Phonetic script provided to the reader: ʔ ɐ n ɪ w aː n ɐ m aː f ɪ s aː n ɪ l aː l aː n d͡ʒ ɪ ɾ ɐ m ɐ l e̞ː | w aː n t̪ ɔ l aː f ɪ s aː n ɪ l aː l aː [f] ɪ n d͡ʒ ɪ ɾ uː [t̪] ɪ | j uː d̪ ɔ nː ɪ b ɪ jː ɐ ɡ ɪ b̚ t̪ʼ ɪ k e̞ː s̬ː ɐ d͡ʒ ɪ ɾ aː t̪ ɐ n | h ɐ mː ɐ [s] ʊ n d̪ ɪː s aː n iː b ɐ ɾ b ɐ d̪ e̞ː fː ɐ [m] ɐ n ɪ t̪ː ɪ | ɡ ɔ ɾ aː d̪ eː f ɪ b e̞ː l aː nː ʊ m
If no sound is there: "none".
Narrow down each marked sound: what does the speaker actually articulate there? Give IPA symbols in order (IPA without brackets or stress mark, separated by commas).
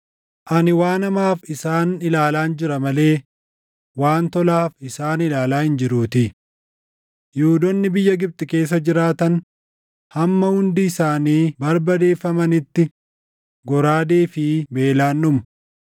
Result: h, t̪, h, m